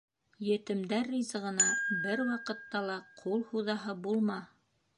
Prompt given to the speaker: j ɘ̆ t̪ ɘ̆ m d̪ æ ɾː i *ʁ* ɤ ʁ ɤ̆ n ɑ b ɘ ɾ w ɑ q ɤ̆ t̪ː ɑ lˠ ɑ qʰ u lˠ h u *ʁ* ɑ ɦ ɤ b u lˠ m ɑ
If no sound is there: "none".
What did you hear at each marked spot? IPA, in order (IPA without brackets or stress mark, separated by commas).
z, ð